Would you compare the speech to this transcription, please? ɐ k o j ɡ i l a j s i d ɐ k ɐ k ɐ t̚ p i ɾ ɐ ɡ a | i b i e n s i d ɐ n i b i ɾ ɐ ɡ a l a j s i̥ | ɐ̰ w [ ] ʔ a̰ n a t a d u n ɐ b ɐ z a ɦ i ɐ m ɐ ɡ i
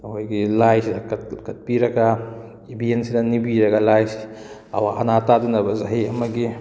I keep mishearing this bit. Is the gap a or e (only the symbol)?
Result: a